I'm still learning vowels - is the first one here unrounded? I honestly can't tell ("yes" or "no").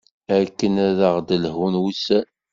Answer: yes